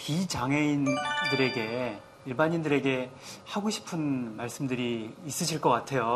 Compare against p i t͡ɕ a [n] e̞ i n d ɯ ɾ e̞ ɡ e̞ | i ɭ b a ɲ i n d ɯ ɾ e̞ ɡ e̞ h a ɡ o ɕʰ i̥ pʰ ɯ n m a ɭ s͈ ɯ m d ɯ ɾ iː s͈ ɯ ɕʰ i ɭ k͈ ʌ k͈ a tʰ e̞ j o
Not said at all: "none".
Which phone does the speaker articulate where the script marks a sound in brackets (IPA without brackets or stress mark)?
ŋ